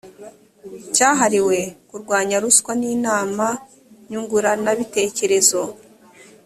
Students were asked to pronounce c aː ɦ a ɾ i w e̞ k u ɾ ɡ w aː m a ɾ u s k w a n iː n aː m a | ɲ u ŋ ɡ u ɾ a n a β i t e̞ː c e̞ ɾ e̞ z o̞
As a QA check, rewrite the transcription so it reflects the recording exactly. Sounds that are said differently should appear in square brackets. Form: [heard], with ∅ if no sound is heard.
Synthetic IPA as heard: c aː ɦ a ɾ i w e̞ k u ɾ ɡ w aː [ɲ] a ɾ u s k w a n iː n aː m a | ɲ u ŋ ɡ u ɾ a n a β i t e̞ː c e̞ ɾ e̞ z o̞